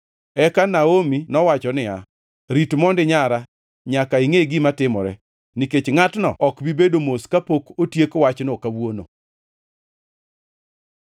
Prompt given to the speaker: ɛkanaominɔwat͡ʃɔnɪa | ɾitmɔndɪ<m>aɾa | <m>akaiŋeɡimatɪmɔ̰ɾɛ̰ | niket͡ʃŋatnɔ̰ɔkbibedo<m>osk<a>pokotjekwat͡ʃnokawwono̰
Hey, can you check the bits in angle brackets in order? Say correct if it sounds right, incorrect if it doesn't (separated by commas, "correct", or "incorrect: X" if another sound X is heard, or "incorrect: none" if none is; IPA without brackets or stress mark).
incorrect: ɲ, incorrect: ɲ, correct, correct